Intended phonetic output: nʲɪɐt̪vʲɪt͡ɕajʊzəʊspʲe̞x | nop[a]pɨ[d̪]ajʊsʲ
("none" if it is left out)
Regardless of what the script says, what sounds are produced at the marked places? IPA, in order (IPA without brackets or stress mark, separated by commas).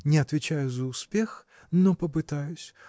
ə, t̪